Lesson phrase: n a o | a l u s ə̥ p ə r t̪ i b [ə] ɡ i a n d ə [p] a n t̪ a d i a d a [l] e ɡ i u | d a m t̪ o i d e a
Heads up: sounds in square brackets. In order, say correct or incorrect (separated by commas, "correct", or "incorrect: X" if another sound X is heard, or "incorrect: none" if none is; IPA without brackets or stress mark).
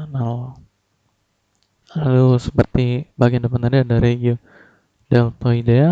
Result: incorrect: a, correct, incorrect: ɾ